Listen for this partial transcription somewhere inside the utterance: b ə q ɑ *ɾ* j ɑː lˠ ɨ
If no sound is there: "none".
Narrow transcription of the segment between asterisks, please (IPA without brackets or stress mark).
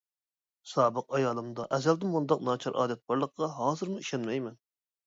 none